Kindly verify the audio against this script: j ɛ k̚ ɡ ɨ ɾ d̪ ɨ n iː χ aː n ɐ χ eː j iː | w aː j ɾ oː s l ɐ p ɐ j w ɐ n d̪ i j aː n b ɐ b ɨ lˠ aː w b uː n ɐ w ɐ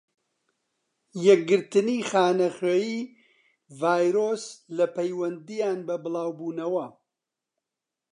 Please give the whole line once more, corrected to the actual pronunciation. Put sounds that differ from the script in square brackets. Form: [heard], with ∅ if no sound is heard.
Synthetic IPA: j ɛ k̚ ɡ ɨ ɾ [t̪] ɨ n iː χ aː n ɐ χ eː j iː | [v] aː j ɾ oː s l ɐ p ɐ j w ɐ n d̪ i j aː n b ɐ b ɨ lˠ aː w b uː n ɐ w ɐ